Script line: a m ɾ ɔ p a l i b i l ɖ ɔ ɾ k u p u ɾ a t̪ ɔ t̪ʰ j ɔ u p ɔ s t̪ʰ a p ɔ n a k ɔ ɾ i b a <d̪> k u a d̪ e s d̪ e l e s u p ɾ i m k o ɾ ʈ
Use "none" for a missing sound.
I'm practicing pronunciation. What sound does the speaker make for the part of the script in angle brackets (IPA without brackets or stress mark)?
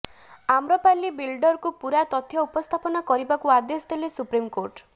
none